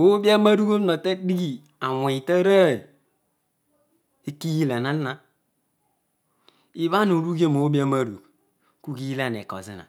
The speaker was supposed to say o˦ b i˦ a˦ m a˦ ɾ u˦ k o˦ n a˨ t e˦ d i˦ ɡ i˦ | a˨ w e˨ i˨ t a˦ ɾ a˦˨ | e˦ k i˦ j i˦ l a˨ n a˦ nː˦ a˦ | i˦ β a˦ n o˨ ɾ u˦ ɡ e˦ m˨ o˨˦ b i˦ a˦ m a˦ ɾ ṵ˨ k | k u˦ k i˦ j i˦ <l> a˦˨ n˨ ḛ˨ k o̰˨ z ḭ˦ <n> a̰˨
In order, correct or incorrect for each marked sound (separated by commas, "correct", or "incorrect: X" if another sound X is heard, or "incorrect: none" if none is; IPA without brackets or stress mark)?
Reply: correct, correct